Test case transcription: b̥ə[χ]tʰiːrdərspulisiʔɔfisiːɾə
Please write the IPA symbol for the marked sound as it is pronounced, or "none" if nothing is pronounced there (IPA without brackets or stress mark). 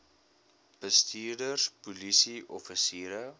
s